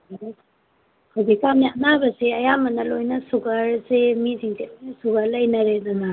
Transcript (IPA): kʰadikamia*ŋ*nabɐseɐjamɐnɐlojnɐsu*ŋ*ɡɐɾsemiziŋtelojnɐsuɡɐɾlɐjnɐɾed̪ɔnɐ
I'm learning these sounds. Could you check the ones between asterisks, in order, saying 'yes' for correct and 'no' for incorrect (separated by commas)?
no, no